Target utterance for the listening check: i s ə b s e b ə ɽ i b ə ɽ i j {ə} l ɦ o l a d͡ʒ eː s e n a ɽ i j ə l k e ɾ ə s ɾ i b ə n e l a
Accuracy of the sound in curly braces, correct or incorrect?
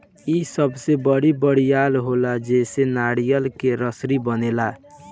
incorrect